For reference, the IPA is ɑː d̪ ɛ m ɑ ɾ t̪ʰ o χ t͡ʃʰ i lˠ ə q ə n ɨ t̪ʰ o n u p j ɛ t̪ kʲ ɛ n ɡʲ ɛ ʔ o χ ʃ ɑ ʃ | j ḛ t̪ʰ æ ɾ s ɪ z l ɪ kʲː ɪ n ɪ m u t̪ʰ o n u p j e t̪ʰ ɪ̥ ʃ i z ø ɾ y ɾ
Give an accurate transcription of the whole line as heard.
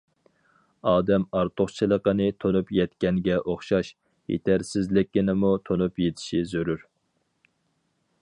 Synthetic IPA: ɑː d̪ ɛ m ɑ ɾ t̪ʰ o χ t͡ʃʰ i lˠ ə q ə n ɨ t̪ʰ o n u p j ɛ t̪ kʲ ɛ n ɡʲ ɛ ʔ o χ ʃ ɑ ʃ | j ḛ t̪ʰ æ ɾ s ɪ z l ɪ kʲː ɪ n ɪ m u t̪ʰ o n u p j e t̪ʰ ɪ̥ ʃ i z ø ɾ y ɾ